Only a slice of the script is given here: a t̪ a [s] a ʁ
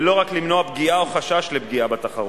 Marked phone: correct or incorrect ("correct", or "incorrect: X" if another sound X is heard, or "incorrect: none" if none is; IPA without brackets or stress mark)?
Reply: incorrect: χ